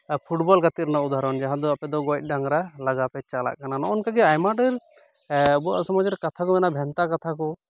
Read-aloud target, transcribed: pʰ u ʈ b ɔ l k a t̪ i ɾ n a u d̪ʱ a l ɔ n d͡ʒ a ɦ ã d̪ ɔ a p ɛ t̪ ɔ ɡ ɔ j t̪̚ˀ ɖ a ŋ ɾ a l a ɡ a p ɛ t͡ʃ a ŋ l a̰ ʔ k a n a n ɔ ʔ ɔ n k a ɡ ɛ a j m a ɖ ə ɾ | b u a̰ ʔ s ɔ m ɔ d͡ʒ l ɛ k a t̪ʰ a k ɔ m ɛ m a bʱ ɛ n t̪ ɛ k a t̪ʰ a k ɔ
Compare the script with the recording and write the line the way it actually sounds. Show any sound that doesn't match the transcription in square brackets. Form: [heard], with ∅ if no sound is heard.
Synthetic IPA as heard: pʰ u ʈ b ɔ l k a t̪ i ɾ n a u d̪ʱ a [ɾ] ɔ n d͡ʒ a ɦ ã d̪ ɔ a p ɛ [d̪] ɔ ɡ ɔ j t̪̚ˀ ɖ a ŋ ɾ a l a ɡ a p ɛ t͡ʃ a [∅] l a̰ ʔ k a n a n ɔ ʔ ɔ n k a ɡ ɛ a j m a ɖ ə ɾ | b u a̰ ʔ s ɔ m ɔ d͡ʒ [ɾ] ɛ k a t̪ʰ a k ɔ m ɛ [n] a bʱ ɛ n t̪ [a] k a t̪ʰ a k ɔ